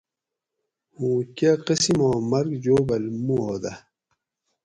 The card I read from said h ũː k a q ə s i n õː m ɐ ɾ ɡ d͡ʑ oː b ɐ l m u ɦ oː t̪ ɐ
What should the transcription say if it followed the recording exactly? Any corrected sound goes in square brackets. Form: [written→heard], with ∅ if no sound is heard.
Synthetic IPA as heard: h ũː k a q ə s i [n→m] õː m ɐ ɾ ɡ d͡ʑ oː b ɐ l m u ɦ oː [t̪→d̪] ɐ

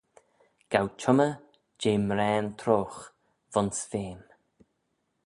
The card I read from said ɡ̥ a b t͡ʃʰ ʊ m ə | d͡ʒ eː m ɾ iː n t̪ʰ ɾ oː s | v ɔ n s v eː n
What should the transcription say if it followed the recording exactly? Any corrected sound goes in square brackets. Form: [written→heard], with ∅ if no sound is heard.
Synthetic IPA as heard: ɡ̥ a [b→w] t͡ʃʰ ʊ m ə | d͡ʒ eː m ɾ [iː→ɛː] n t̪ʰ ɾ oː [s→x] | v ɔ n s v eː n

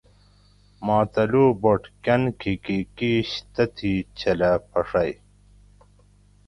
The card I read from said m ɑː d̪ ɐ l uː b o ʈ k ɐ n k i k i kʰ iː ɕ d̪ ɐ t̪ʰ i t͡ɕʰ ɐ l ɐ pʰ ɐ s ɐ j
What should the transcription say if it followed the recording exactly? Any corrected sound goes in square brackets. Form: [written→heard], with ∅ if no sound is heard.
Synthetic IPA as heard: m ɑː [d̪→t̪] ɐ l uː b o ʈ k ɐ n k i k i [kʰ→k] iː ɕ [d̪→t̪] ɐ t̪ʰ i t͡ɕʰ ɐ l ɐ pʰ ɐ [s→ʂ] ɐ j

